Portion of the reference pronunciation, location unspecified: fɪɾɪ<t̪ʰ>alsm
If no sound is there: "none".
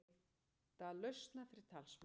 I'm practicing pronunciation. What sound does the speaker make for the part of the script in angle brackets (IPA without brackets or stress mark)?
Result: t̪ʰ